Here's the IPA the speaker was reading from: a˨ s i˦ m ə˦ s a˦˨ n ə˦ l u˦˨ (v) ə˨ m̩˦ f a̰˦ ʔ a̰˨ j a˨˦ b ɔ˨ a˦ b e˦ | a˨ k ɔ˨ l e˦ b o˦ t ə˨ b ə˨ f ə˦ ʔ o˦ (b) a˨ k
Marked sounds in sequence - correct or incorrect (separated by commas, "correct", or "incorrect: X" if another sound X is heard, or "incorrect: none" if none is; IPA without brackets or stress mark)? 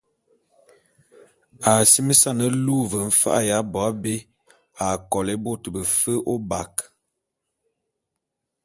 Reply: correct, correct